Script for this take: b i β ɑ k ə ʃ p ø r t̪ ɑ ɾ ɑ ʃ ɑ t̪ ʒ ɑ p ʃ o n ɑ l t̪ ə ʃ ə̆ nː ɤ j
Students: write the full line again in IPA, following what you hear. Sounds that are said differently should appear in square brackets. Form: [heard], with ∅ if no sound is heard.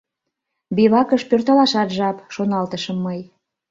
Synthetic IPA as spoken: b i β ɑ k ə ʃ p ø r t̪ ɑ [l] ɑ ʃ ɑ t̪ ʒ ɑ p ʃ o n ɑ l t̪ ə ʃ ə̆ [mː] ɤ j